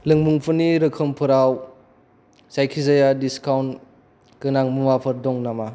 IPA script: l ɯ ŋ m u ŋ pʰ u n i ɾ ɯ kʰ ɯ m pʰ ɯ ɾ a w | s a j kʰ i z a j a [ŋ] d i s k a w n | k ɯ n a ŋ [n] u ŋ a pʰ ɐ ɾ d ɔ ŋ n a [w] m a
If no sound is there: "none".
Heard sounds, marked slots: none, m, none

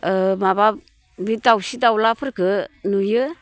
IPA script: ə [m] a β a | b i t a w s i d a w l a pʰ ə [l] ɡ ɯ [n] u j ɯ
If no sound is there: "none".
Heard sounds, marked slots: m, ɾ, n

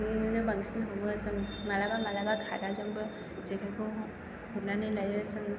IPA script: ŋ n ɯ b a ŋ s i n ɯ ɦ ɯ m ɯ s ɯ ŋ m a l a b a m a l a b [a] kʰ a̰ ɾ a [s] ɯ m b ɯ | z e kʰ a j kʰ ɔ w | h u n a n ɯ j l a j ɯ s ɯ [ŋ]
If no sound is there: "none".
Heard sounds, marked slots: a, z, ŋ

